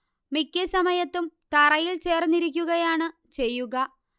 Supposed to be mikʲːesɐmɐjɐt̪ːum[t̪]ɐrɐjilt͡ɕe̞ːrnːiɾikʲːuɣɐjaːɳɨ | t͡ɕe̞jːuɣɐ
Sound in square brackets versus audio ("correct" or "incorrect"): correct